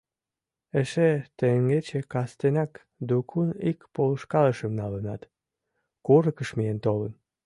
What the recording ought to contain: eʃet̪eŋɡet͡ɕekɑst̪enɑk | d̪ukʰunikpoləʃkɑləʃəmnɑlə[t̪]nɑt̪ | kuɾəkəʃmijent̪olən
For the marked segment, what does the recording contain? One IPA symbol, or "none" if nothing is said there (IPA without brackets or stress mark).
none